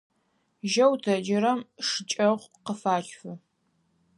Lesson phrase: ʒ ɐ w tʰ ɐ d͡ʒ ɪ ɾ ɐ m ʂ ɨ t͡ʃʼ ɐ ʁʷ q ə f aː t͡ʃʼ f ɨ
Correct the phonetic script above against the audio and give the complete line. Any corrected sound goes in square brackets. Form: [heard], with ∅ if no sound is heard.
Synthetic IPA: ʒ ɐ w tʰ ɐ d͡ʒ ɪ ɾ ɐ m ʂ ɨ t͡ʃʼ ɐ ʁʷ q ə f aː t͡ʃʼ f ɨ